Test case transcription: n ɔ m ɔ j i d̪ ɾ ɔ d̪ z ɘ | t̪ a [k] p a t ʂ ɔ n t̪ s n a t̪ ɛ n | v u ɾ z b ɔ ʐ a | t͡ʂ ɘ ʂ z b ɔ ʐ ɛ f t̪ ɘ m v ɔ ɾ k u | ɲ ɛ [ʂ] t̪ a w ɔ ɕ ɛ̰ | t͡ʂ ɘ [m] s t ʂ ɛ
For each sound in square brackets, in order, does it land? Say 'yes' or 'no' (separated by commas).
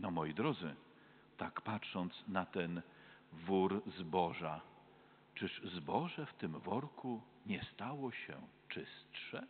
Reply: yes, no, no